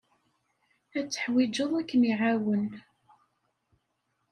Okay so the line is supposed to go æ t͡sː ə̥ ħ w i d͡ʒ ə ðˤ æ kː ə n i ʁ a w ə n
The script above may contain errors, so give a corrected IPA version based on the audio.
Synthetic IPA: æ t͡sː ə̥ ħ w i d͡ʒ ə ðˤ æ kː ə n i ʕ a w ə n